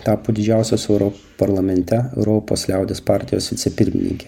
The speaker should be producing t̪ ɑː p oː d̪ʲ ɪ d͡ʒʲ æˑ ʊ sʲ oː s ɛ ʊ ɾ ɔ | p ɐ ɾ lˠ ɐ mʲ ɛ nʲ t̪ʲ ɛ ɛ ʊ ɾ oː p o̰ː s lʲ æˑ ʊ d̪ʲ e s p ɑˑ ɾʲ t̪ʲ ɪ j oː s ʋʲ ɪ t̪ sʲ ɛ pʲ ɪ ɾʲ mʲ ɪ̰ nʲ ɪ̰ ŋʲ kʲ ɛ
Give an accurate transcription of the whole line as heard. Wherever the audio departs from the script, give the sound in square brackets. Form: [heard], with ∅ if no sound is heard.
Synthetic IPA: t̪ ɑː p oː d̪ʲ ɪ d͡ʒʲ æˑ ʊ sʲ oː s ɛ ʊ ɾ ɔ | p ɐ ɾ lˠ ɐ mʲ ɛ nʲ t̪ʲ ɛ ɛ ʊ ɾ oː p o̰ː s lʲ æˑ ʊ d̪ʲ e s p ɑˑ ɾʲ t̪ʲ ɪ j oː s ʋʲ ɪ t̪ sʲ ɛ pʲ ɪ ɾʲ mʲ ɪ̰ nʲ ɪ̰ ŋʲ kʲ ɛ